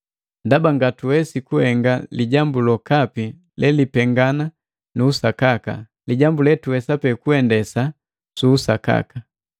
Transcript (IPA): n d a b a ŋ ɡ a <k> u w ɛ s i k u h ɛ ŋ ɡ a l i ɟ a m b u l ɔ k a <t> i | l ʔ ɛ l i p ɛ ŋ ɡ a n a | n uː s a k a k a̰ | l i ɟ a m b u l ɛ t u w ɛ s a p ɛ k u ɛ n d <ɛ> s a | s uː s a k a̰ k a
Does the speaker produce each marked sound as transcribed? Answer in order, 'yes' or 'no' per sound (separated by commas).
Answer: no, no, yes